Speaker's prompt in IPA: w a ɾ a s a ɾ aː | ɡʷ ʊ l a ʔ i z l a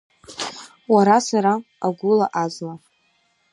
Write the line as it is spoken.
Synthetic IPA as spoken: w a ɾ a s a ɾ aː | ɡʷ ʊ l a ʔ a z l a